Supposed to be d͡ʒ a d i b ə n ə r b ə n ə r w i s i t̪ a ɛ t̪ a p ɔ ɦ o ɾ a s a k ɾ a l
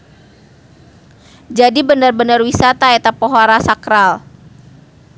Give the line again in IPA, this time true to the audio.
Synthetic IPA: d͡ʒ a d i b ə n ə r b ə n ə r w i s a t̪ a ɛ t̪ a p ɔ ɦ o ɾ a s a k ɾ a l